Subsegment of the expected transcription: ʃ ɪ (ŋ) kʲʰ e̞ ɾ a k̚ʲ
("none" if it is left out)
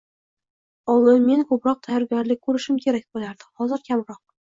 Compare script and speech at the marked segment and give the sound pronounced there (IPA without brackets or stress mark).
m